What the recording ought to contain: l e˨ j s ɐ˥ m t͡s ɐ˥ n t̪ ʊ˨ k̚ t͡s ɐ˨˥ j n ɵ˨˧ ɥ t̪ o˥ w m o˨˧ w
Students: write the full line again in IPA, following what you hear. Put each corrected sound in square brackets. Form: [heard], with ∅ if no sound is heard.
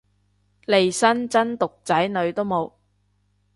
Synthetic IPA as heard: l e˨ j s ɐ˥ [n] t͡s ɐ˥ n t̪ ʊ˨ k̚ t͡s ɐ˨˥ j n ɵ˨˧ ɥ t̪ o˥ w m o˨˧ w